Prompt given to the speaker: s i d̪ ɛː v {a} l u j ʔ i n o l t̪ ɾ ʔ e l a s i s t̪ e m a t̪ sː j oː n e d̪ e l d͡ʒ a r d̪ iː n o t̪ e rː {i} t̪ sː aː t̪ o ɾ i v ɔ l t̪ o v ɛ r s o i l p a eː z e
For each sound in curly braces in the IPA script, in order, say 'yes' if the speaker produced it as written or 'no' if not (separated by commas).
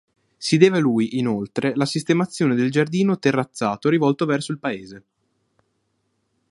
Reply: no, no